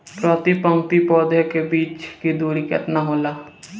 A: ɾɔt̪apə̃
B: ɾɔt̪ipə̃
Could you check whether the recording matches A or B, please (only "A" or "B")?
B